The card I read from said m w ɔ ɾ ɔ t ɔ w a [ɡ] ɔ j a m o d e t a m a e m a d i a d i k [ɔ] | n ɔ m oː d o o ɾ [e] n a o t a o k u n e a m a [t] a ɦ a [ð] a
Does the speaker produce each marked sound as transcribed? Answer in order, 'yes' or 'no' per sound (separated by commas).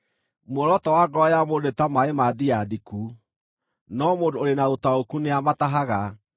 yes, no, yes, yes, no